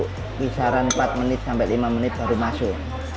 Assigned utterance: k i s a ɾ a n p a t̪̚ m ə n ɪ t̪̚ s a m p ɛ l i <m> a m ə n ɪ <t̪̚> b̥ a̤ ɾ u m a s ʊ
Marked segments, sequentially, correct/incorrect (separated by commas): correct, correct